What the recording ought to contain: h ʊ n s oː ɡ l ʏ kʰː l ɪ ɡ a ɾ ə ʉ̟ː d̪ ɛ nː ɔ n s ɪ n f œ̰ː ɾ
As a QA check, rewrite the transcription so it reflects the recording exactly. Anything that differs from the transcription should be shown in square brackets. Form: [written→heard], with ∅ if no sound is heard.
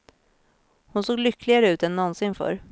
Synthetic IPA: h ʊ n s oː ɡ l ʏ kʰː l ɪ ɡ a ɾ ə ʉ̟ː [d̪→t̪] ɛ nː ɔ n s ɪ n f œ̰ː ɾ